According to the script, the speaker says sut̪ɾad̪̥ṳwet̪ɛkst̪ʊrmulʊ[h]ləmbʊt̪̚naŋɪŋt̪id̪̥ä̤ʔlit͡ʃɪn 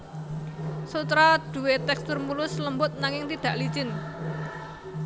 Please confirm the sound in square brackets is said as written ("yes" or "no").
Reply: no